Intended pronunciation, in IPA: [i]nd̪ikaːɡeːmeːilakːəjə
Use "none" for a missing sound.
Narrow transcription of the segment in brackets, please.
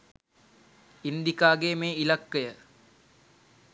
i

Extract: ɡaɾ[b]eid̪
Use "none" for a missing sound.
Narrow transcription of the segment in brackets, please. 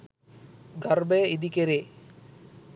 b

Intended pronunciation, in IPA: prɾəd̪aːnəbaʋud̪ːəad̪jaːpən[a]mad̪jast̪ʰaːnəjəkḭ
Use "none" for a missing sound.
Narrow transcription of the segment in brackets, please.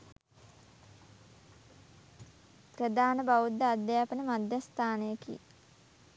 ə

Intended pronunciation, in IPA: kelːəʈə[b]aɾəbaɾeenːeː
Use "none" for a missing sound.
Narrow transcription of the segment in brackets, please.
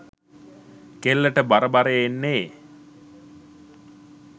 b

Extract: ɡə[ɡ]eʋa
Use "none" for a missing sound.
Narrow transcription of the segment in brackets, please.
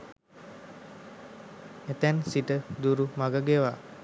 ɡ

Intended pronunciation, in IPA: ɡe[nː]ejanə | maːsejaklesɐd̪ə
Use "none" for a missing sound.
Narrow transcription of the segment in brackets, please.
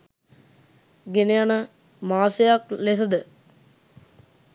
n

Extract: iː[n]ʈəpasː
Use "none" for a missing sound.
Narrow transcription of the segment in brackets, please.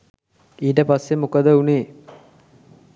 none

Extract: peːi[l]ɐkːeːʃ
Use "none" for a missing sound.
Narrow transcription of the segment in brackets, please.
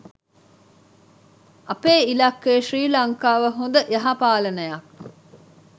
l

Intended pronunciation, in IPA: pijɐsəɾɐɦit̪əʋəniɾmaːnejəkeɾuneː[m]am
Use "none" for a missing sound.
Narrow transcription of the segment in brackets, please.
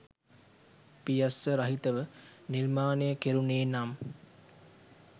n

